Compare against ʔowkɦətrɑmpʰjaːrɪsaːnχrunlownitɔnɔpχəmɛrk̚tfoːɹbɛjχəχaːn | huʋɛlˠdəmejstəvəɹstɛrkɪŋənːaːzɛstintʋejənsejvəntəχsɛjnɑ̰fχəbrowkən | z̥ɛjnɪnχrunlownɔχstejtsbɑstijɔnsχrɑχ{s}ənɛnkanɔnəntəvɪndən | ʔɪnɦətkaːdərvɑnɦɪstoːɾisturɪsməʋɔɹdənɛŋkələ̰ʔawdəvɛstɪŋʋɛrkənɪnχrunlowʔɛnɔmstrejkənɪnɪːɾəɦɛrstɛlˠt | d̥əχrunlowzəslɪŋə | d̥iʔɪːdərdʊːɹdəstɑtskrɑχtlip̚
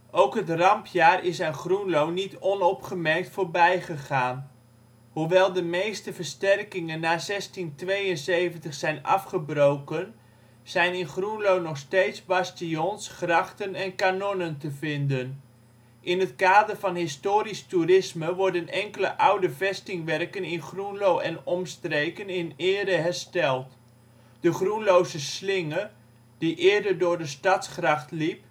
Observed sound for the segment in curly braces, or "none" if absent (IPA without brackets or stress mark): t